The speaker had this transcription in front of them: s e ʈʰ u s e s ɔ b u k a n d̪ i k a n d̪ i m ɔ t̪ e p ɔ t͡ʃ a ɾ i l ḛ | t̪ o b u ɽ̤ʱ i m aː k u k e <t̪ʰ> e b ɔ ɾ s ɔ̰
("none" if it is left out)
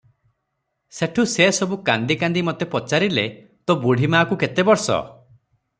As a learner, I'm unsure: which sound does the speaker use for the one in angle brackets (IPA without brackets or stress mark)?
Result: t̪